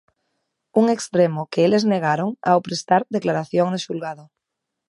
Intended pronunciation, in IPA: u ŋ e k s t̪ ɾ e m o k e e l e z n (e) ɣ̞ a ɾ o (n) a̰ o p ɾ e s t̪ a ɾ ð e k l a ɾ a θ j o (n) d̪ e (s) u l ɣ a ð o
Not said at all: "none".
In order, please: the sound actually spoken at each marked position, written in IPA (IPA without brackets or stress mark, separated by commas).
e, ŋ, ŋ, ʃ